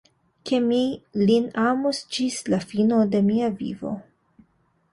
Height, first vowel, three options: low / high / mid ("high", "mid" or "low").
mid